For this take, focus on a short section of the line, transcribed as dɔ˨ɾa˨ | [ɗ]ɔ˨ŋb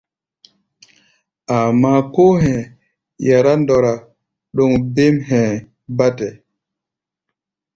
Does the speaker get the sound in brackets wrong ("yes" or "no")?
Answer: no